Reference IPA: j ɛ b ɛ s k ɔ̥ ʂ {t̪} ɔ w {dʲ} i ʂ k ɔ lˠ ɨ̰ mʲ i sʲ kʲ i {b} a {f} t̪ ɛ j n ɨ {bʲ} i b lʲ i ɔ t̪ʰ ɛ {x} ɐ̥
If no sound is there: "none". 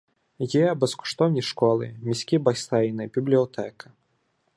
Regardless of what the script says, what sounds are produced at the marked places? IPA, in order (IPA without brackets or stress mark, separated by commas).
t̪, nʲ, b, s, bʲ, k